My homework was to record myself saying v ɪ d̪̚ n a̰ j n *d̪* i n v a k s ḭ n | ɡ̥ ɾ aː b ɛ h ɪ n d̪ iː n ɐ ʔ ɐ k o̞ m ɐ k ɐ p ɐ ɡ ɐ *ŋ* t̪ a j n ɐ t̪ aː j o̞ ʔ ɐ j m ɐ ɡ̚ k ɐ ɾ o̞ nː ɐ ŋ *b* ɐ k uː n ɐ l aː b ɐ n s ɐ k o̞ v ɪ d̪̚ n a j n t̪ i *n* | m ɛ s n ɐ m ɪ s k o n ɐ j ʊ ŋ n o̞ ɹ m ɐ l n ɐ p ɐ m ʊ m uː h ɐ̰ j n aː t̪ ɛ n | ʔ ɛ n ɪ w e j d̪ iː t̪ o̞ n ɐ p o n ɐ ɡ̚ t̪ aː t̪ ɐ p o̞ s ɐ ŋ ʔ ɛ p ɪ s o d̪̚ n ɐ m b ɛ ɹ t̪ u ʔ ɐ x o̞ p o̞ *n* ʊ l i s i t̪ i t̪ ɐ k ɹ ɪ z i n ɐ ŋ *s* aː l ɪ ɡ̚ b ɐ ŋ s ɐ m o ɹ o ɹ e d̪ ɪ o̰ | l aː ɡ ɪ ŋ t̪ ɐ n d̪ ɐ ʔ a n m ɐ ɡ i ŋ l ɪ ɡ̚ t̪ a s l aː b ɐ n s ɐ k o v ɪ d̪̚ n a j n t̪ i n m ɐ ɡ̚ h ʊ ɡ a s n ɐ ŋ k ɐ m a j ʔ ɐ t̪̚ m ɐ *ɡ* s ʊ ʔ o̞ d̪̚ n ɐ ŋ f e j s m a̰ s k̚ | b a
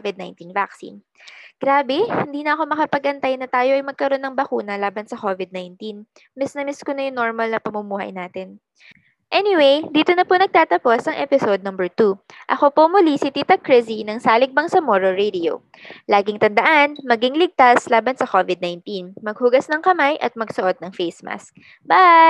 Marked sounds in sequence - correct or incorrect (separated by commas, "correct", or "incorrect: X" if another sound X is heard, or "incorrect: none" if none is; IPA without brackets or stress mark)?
incorrect: t̪, incorrect: n, correct, correct, incorrect: m, correct, correct